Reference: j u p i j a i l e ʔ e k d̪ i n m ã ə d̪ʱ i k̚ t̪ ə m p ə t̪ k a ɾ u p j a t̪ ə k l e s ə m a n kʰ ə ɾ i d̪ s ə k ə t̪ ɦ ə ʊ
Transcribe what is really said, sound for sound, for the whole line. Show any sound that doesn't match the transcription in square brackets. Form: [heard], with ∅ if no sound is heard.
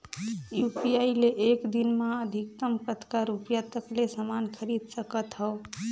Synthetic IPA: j u p i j a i l e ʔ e k d̪ i n m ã ə d̪ʱ i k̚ t̪ ə m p ə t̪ k a ɾ u p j a t̪ ə k l e s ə m a n kʰ ə ɾ i d̪ s ə k ə t̪ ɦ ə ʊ